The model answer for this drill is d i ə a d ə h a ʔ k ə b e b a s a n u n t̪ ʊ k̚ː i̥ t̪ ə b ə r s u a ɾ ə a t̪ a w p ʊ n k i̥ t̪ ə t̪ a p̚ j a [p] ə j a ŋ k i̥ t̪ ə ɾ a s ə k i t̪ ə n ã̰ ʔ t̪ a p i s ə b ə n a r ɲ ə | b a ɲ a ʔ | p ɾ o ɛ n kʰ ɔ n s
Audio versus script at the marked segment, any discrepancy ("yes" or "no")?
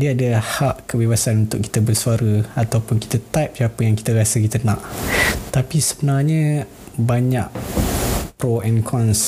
no